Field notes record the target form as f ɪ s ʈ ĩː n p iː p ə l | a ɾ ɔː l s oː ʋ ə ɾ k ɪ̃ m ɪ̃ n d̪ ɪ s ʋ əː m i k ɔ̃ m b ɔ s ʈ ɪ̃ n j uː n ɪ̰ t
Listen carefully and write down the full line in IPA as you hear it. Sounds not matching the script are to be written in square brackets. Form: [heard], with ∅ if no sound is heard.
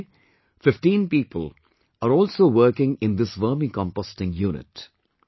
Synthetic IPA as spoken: f ɪ [f] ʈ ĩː n p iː p ə l | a ɾ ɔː l s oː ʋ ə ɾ k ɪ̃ [ŋ] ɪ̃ n d̪ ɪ s ʋ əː m i k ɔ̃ m [p] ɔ s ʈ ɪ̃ [ŋ] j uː n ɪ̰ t